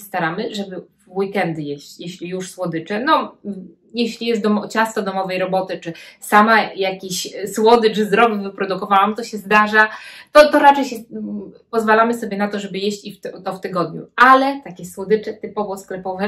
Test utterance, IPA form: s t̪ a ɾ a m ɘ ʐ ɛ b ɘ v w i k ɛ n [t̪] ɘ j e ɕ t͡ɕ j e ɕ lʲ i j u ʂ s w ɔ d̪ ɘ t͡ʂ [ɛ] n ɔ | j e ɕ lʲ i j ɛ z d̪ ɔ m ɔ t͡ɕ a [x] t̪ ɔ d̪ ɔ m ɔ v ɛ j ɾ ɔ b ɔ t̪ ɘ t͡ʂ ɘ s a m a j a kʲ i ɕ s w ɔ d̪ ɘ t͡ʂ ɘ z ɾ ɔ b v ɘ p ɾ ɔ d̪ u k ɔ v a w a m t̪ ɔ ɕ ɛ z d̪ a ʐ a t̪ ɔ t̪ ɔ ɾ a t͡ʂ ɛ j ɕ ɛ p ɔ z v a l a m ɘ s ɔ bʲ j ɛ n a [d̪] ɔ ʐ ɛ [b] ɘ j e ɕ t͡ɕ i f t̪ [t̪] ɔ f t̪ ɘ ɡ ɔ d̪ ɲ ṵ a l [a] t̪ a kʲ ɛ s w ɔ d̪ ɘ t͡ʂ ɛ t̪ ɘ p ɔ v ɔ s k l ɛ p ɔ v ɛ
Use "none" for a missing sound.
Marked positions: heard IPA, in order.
d̪, ɛ, s, t̪, b, t̪, ɛ

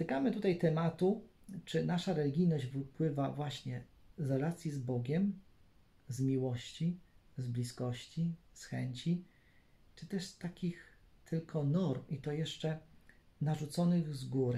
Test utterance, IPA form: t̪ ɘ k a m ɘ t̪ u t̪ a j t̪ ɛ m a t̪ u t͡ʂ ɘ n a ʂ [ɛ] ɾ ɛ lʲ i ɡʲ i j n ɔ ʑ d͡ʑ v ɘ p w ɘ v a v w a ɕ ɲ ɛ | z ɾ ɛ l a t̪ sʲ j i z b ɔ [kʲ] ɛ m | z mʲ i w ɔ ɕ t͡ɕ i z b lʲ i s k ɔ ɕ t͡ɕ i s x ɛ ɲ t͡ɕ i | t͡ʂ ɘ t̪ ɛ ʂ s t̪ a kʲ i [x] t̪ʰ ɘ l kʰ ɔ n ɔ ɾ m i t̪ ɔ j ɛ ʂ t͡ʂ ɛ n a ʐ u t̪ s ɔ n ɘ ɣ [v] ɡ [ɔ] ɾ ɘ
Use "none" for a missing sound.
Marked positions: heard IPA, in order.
a, ɡʲ, x, z, u

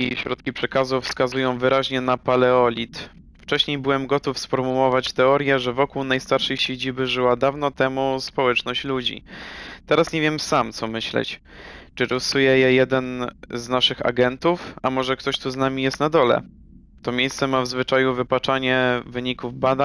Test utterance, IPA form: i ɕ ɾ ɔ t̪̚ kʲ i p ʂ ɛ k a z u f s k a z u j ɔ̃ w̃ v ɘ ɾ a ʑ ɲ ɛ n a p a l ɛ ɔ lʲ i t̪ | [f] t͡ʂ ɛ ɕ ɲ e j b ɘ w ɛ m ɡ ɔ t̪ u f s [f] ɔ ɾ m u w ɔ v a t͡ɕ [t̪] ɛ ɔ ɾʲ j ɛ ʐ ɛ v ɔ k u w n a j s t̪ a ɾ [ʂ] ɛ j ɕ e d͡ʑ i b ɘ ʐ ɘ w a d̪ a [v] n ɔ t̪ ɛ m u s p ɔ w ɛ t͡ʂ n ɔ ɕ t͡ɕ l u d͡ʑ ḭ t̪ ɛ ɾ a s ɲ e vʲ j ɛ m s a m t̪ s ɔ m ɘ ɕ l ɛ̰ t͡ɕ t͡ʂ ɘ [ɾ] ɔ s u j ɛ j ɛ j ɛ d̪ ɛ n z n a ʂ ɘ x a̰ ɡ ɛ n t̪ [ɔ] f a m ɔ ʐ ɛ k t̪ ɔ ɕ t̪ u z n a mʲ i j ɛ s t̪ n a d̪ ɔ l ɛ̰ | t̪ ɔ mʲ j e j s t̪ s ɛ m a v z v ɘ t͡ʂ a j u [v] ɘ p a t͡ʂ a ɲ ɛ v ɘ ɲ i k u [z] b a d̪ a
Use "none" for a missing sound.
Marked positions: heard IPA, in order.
f, f, t̪, ʂ, v, ɾ, u, v, v

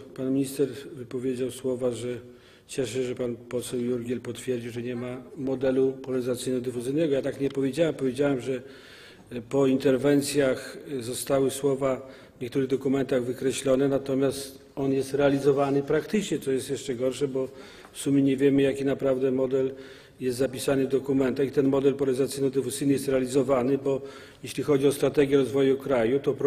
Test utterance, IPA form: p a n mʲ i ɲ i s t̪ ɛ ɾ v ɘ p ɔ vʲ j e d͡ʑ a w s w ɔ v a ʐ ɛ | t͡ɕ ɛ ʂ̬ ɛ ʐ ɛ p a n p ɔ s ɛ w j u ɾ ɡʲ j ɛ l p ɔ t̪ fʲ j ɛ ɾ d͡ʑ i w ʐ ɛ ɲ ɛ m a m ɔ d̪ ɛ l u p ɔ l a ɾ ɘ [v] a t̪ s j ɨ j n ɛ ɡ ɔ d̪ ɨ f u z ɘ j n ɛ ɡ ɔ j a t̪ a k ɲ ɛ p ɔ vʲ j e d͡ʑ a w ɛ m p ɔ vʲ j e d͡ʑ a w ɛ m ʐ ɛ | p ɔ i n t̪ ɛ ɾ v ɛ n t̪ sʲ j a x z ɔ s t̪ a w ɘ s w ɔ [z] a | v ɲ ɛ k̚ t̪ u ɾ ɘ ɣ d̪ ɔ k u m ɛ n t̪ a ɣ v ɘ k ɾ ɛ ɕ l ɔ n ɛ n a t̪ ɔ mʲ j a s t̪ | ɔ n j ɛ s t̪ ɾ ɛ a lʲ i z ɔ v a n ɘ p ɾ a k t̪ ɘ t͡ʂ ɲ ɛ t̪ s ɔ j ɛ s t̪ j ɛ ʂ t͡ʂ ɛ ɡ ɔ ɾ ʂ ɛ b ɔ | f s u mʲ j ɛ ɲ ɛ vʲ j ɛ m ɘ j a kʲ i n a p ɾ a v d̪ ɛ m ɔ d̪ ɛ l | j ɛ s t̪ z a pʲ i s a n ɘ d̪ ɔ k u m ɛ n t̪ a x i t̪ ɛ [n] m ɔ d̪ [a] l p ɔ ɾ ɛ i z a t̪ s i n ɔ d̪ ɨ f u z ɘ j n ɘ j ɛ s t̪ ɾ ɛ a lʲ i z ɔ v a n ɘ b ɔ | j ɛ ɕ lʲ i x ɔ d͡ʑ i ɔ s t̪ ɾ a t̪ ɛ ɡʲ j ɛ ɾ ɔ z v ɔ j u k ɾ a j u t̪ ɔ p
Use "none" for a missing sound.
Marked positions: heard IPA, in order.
z, v, n, ɛ

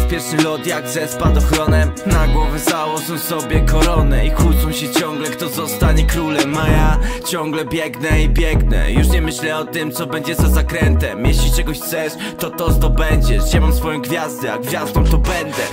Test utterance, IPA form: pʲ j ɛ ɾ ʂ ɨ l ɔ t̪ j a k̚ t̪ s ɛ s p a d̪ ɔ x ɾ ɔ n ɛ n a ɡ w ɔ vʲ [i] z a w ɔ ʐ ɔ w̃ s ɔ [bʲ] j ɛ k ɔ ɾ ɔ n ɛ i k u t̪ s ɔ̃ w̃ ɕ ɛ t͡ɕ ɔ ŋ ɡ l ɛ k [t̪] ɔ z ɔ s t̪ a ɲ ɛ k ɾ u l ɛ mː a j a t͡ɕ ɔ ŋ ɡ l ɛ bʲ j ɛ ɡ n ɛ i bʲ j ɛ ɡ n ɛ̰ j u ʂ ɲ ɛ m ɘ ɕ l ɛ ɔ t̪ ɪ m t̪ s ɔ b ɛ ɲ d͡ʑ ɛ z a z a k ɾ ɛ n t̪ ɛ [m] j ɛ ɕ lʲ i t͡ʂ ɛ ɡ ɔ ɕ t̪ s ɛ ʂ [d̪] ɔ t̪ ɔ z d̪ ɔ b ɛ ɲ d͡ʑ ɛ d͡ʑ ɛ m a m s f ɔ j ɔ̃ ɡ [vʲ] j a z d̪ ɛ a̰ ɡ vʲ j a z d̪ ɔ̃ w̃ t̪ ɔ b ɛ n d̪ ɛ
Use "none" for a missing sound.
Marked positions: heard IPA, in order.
ɛ, bʲ, t̪, m, t̪, vʲ

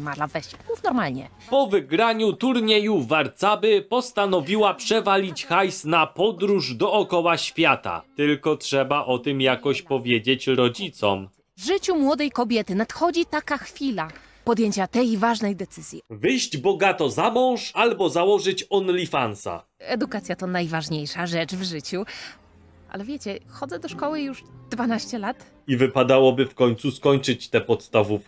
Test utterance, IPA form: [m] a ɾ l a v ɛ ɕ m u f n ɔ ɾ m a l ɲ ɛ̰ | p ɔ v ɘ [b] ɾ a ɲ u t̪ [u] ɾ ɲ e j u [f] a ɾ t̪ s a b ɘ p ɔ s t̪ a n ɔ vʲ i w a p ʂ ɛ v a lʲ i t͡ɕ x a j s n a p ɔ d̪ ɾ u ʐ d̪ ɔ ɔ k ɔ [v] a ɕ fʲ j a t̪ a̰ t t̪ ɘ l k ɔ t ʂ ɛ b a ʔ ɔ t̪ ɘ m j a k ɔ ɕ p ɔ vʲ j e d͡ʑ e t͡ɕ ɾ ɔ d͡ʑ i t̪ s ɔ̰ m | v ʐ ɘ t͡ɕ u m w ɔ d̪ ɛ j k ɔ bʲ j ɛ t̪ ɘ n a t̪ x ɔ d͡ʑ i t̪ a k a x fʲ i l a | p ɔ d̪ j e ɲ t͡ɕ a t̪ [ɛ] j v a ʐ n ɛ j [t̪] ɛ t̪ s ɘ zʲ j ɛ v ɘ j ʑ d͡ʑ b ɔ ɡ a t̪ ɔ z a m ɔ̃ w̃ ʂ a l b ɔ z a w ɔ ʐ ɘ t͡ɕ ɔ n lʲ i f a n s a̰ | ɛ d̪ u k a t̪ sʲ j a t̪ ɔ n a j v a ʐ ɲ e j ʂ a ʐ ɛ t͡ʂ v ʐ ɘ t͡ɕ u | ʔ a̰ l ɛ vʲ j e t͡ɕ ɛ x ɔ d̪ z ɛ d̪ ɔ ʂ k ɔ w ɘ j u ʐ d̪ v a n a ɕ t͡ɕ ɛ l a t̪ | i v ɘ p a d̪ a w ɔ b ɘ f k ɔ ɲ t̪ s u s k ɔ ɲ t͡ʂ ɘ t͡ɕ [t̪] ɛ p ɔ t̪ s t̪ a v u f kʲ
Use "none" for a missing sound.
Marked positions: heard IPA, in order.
m, ɡ, u, v, w, ɛ, d̪, t̪

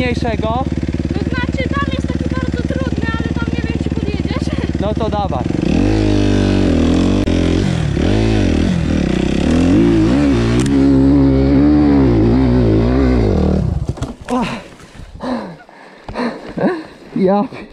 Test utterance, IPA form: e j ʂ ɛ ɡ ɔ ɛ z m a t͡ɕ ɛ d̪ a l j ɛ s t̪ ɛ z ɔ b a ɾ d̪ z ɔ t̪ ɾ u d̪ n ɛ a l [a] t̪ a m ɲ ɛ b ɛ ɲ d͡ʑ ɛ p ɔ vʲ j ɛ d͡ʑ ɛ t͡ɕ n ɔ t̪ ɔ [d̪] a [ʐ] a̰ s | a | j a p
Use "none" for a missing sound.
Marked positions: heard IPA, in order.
ɛ, d̪, v

